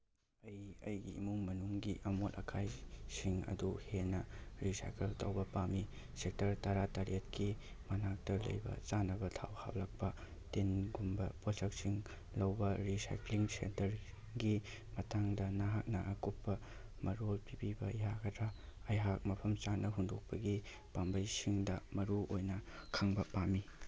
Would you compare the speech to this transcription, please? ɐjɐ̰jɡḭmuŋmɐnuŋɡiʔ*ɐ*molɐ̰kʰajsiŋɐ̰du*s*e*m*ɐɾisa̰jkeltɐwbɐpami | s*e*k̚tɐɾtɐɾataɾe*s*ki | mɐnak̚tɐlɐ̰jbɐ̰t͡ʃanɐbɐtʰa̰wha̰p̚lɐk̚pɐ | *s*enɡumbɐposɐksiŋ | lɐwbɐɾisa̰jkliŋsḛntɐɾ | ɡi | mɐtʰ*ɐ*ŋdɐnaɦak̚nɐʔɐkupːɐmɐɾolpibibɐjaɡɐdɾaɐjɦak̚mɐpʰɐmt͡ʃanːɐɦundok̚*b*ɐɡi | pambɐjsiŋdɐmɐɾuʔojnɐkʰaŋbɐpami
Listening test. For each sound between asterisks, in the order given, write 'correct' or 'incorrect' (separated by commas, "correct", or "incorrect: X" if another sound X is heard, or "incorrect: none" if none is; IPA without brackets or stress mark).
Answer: correct, incorrect: h, incorrect: n, correct, incorrect: t, incorrect: t, incorrect: a, incorrect: p